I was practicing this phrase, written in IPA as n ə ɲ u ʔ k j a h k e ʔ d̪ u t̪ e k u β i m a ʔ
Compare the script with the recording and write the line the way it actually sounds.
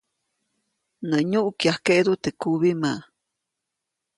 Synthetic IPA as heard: n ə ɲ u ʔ k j a h k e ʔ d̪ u t̪ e k u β i m a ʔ

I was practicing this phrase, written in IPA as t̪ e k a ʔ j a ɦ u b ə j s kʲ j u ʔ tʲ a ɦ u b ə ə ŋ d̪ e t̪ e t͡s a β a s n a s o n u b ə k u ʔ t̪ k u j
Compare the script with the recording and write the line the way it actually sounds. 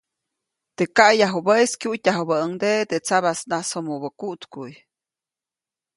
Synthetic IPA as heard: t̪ e k a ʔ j a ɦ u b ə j s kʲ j u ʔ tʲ a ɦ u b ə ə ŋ d̪ e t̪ e t͡s a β a s n a s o m u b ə k u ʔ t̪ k u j

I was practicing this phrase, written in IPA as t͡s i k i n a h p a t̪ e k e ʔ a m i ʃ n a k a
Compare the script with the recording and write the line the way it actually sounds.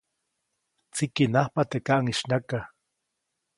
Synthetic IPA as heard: t͡s i k i n a h p a t̪ e k a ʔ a ŋ i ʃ n a k a

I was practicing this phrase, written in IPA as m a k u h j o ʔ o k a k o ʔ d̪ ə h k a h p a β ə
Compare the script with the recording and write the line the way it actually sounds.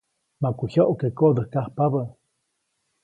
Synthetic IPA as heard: m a k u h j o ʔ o k e k o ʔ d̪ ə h k a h p a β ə

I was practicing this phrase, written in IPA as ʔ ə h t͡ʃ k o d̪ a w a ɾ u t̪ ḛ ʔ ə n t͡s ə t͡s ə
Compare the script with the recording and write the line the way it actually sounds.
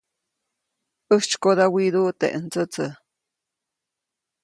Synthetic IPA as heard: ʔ ə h t͡ʃ k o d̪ a w i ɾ u t̪ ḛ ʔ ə n t͡s ə t͡s ə

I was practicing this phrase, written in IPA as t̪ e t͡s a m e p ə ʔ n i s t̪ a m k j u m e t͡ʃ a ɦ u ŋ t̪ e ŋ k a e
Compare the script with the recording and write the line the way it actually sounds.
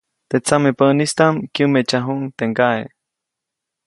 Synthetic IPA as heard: t̪ e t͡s a m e p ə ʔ n i s t̪ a m k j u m e t͡ʃ a ɦ u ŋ t̪ e ŋ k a e

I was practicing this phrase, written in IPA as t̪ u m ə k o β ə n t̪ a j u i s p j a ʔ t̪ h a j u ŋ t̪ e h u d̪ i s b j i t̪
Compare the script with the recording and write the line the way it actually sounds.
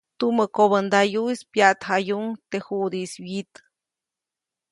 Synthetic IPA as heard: t̪ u m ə k o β ə n d̪ a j u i s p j a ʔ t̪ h a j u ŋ t̪ e h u d̪ i s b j i t̪

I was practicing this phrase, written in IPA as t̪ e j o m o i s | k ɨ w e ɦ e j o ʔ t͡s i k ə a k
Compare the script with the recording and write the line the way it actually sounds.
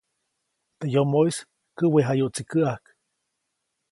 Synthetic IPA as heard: t̪ e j o m o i s | k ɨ w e ɦ a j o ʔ t͡s i k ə a k

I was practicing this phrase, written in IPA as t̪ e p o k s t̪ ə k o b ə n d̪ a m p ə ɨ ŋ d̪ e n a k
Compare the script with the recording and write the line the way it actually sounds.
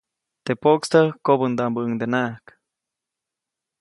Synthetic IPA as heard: t̪ e p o k s t̪ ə k o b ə n d̪ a m b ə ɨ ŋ d̪ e n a k

